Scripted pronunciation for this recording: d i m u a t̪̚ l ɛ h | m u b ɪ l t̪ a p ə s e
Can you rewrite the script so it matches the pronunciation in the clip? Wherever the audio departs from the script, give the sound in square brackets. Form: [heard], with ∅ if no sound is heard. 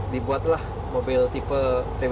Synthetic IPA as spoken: d i [b] u a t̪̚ l [a] h | m [o] b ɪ l t̪ [i] p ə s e

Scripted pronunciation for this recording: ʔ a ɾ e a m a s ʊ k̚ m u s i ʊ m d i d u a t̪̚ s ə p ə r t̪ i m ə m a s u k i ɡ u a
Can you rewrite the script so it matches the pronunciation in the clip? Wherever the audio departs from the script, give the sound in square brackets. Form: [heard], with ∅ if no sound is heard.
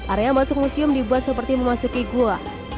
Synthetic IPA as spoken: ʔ a ɾ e a m a s ʊ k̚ m u s i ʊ m d i [b] u a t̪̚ s ə p ə r t̪ i m ə m a s u k i ɡ u a

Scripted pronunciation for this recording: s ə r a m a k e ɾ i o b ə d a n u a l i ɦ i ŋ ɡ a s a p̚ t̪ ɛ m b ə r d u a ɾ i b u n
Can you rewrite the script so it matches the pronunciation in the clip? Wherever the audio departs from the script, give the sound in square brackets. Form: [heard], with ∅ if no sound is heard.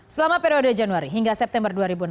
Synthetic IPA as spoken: s ə [l] a m a [p] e ɾ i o [d] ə [d͡ʒ] a n u a [ɾ] i ɦ i ŋ ɡ a s [ɛ] p̚ t̪ ɛ m b ə r d u a ɾ i b u n

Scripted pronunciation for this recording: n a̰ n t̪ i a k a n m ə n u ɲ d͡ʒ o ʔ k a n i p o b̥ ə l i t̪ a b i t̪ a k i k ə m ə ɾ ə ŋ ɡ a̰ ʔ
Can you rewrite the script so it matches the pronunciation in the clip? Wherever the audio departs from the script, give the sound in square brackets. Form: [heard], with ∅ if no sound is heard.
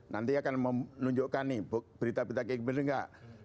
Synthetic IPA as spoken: n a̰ n t̪ i a k a n m ə n u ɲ d͡ʒ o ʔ k a n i [b] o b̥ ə [ɾ] i t̪ a b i t̪ a k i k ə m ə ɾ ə ŋ ɡ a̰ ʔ

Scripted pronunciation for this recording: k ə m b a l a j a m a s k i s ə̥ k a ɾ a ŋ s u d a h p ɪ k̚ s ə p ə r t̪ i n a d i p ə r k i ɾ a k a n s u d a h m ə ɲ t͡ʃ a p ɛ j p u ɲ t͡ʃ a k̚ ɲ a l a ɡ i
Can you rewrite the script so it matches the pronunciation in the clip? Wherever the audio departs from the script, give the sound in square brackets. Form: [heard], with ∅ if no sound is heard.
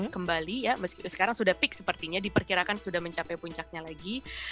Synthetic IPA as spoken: k ə m b a l [i] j a m [ə] s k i s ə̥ k a ɾ a ŋ s u d a h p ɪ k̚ s ə p ə r t̪ i [ɲ] a d i p ə r k i ɾ a k a n s u d a h m ə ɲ t͡ʃ a p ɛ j p u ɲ t͡ʃ a k̚ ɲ a l a ɡ i

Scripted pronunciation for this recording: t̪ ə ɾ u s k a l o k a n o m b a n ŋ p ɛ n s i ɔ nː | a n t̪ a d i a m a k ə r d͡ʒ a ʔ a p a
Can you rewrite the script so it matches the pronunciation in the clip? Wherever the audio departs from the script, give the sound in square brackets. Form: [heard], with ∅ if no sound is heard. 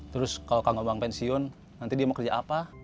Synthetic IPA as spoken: t̪ ə ɾ [ʊ] s k a l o k a [ŋ] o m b a [∅] ŋ p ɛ n s i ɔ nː | a n t̪ [i] d i a m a k ə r d͡ʒ a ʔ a p a

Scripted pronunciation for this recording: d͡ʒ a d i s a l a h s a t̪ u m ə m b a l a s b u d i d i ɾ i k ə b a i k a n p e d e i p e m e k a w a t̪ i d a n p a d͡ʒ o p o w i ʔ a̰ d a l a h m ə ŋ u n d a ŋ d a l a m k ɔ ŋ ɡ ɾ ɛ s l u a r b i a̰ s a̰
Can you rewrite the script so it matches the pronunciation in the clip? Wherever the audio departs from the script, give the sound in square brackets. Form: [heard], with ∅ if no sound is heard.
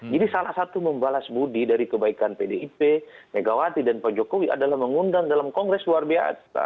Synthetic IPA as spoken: d͡ʒ a d i s a l a h s a t̪ u m ə m b a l a s b u d i d [a] ɾ i k ə b a i k a n p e d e i p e m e [ɡ] a w a t̪ i d a n p a d͡ʒ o [k] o w i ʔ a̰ d a l a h m ə ŋ u n d a ŋ d a l a m k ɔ ŋ ɡ ɾ ɛ s l u a r b i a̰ s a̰

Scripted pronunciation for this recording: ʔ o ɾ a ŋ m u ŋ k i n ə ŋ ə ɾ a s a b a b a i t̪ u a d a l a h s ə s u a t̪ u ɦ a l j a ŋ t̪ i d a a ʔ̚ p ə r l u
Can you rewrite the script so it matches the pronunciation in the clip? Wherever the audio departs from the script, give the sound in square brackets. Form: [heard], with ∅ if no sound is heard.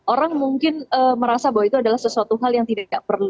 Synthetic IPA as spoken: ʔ o ɾ a ŋ m u ŋ k [ɪ] n ə [m] ə ɾ a s a b a [w] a i t̪ u a d a l a h s ə s u a t̪ u ɦ a l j a ŋ t̪ i d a a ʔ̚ p ə r l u

